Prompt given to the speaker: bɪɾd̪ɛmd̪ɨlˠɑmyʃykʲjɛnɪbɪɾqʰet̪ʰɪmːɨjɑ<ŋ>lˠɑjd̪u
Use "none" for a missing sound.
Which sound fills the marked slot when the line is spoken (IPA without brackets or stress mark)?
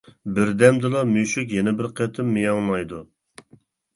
ŋ